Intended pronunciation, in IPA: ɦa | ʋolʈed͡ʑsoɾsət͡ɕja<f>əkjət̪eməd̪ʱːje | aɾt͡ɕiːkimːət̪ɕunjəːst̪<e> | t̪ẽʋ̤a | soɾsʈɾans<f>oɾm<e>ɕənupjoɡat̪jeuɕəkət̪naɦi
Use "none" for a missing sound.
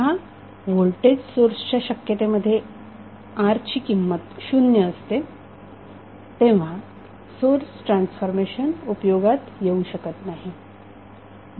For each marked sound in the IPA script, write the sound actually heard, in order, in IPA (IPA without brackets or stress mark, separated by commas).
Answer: ɕ, e, f, e